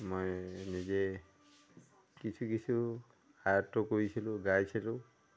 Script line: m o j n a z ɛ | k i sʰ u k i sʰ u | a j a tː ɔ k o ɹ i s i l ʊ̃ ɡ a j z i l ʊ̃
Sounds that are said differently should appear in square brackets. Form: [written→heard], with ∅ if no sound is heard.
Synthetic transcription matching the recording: m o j n [a→i] z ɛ | k i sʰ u k i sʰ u | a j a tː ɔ k o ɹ i s i l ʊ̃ ɡ a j [z→s] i l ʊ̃